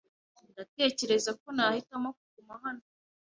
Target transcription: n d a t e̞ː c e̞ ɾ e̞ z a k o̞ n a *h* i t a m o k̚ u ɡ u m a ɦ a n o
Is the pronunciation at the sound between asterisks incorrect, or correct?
correct